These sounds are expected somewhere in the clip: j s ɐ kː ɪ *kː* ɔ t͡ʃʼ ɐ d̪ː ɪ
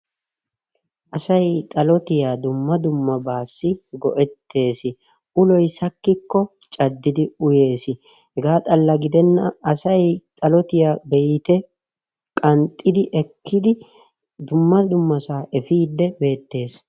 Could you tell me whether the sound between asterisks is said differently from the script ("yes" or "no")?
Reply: no